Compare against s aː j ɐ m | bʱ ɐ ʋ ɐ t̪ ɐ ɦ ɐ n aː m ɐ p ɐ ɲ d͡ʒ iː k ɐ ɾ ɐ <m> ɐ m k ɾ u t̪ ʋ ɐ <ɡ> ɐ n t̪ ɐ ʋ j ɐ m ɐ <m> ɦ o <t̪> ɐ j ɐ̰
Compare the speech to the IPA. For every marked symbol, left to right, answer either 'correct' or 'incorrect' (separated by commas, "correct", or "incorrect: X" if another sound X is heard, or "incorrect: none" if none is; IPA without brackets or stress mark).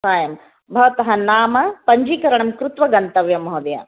incorrect: ɳ, correct, incorrect: none, incorrect: d̪